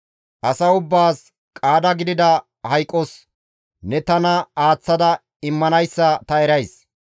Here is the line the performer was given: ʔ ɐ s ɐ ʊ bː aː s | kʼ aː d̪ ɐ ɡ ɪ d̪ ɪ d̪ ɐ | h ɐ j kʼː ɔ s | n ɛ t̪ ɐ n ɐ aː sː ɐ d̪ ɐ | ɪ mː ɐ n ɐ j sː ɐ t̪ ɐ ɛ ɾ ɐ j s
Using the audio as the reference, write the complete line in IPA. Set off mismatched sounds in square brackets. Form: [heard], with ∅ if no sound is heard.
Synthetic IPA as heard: ʔ ɐ s ɐ ʊ bː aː s | kʼ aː d̪ ɐ ɡ ɪ d̪ ɪ d̪ ɐ | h ɐ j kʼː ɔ s | n ɛ t̪ ɐ n ɐ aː [t͡sː] ɐ d̪ ɐ | ɪ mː ɐ n ɐ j sː ɐ t̪ ɐ ɛ ɾ ɐ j s